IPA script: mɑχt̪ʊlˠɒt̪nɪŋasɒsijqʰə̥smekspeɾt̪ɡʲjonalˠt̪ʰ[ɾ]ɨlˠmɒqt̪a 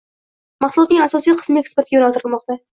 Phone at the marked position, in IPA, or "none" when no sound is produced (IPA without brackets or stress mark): ɾ